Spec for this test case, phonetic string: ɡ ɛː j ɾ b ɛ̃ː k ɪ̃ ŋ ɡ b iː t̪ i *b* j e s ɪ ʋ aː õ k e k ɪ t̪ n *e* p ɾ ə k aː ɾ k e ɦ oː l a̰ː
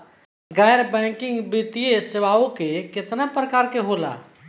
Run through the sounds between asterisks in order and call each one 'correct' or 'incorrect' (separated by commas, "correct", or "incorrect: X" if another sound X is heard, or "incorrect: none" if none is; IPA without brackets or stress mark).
incorrect: none, incorrect: a